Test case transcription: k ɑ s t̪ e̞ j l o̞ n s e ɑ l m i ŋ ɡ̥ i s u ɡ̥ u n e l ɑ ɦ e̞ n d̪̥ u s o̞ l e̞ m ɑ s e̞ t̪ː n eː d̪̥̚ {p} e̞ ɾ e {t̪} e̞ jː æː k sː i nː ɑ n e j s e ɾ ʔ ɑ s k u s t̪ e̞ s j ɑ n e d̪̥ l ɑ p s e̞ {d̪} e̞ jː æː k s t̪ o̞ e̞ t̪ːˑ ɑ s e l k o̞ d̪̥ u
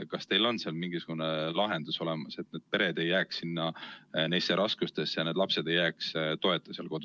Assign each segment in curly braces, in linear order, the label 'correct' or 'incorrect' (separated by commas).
correct, incorrect, correct